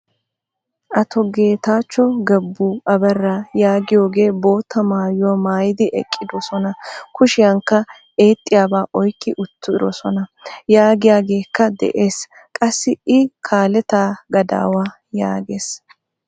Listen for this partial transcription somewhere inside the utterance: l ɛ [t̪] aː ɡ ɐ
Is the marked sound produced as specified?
yes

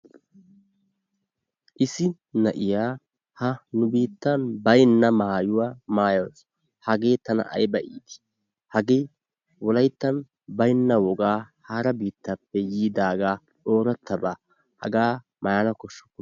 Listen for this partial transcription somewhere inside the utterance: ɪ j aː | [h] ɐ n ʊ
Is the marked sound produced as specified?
yes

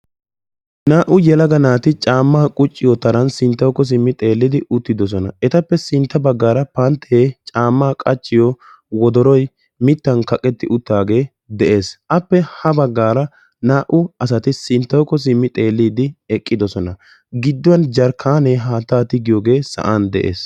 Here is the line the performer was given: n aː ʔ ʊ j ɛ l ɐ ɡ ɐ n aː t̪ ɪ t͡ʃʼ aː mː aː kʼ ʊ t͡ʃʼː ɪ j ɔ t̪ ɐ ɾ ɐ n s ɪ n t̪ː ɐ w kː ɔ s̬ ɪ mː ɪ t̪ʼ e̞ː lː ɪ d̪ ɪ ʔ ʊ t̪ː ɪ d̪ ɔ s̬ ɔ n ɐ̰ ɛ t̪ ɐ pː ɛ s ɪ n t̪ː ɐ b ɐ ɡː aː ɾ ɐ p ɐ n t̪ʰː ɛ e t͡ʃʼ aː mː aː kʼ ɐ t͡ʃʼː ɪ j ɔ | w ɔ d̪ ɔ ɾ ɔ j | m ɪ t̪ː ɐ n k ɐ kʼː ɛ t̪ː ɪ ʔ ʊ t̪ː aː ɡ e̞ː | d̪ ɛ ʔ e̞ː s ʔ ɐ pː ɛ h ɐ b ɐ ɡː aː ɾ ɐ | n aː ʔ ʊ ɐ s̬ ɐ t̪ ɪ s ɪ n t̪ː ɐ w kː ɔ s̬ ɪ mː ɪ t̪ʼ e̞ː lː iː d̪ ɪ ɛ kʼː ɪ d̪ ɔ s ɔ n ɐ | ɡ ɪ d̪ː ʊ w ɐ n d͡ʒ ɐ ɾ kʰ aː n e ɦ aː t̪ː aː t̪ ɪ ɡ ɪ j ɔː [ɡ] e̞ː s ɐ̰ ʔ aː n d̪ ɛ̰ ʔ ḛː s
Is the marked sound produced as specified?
yes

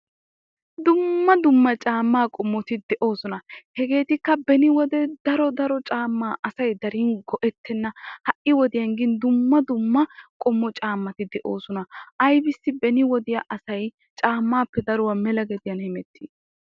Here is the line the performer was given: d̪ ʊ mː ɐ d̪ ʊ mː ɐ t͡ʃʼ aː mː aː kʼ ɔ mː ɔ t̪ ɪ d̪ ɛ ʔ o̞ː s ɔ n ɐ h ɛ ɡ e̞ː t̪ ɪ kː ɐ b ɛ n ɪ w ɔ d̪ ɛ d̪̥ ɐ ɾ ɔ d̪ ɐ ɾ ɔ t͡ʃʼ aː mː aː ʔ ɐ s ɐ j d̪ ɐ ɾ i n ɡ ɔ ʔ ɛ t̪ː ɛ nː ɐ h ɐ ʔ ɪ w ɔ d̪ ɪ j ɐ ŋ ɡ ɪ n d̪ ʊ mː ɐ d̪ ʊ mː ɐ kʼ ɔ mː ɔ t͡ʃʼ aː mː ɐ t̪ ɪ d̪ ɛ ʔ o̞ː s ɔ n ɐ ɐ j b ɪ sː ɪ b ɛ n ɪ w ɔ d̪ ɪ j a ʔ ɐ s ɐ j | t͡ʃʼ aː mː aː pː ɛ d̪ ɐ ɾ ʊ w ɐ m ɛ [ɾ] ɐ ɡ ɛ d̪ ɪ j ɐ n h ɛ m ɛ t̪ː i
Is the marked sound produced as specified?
no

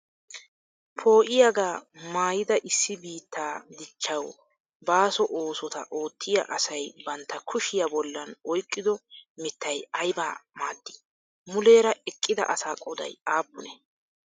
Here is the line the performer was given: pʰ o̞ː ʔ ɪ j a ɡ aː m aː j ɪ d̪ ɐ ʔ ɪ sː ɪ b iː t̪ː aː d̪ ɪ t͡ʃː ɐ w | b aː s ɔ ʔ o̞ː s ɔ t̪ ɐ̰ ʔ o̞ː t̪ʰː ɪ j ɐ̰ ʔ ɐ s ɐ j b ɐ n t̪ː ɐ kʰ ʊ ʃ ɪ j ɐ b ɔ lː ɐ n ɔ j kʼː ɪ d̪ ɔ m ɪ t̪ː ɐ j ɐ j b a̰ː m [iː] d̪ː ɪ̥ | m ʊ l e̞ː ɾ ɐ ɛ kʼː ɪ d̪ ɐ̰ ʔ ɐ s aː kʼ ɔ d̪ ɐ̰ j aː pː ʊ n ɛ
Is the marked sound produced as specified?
no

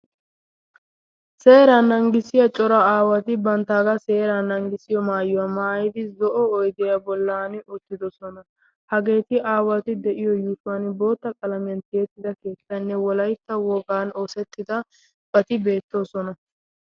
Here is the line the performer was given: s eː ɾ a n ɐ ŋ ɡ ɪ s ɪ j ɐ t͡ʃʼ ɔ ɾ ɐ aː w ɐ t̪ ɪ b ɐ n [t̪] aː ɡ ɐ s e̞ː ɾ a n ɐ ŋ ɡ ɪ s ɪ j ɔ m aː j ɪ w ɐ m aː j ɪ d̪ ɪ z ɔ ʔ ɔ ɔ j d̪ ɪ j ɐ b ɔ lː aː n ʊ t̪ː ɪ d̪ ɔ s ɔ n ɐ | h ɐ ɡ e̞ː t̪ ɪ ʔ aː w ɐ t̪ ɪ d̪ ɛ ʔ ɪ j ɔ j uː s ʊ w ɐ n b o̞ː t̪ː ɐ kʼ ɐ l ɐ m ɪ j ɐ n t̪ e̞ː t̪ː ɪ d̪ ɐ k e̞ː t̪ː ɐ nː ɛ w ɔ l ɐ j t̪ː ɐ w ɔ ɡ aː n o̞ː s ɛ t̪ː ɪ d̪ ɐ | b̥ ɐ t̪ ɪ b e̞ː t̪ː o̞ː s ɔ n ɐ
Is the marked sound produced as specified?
yes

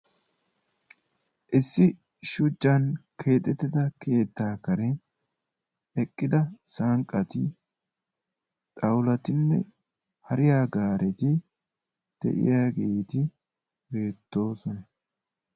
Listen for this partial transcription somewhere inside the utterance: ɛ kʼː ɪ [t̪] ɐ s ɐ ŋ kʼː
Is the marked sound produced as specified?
no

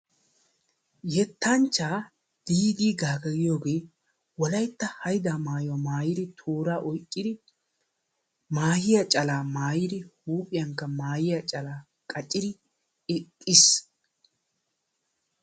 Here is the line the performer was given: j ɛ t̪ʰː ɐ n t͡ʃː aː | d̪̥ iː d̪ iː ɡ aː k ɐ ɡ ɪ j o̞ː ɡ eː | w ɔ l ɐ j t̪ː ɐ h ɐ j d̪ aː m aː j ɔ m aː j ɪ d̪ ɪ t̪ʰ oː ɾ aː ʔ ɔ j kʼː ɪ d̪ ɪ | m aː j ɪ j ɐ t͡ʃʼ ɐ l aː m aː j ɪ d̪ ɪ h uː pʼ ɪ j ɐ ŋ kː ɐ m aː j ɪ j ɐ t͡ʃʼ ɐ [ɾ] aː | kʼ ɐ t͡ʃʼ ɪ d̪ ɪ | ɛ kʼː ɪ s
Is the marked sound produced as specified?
no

